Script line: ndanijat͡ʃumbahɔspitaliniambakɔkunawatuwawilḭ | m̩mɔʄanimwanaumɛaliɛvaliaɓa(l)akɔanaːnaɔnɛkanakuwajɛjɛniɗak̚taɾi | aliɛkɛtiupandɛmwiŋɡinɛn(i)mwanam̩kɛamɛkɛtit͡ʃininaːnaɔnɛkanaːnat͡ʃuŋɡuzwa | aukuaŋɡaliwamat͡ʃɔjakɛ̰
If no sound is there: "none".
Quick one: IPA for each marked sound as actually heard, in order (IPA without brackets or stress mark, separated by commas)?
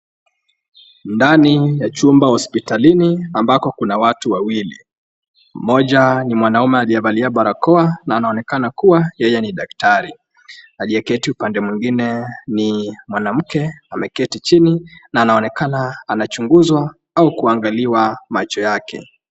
ɾ, i